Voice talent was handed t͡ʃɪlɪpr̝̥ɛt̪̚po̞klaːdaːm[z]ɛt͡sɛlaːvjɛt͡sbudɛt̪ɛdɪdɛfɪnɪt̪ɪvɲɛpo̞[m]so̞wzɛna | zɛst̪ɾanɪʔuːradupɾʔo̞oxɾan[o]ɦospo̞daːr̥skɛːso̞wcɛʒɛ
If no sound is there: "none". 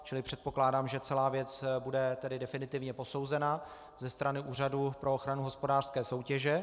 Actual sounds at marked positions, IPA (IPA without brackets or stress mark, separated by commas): ʒ, none, u